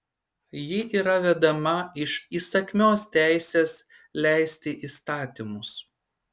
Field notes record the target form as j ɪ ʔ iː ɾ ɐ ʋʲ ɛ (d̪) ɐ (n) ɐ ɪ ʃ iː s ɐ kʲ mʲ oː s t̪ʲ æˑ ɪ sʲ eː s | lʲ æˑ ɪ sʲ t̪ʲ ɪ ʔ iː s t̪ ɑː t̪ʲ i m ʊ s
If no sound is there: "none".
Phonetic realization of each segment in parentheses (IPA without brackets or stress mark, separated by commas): d̪, m